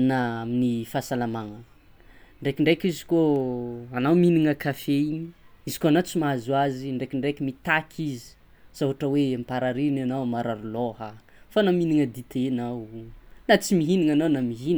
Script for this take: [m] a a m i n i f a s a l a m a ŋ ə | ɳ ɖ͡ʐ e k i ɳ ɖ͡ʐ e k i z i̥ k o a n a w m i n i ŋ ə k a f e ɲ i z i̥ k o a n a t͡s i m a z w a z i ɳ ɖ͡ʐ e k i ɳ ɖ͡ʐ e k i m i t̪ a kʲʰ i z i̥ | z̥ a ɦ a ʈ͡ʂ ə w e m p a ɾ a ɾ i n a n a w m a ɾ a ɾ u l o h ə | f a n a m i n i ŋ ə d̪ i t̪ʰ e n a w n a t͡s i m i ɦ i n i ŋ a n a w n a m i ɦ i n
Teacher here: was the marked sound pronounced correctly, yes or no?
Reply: no